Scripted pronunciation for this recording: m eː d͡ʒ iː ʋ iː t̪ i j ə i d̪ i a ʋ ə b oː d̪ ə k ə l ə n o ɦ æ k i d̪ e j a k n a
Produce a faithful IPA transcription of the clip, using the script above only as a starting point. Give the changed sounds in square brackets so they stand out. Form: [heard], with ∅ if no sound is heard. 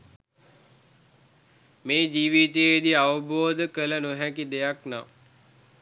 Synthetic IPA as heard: m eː d͡ʒ iː ʋ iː t̪ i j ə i d̪ i a ʋ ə b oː d̪ ə k ə l ə n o ɦ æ k i d̪ e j a k n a